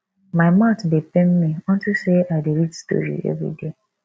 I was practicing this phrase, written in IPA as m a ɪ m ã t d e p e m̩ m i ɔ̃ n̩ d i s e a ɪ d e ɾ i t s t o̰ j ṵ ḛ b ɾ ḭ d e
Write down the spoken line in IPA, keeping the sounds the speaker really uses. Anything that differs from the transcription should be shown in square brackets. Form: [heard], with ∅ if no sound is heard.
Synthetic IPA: m a ɪ m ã t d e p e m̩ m i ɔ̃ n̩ [t] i s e a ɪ d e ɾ i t s t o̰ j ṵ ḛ [v] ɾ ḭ d e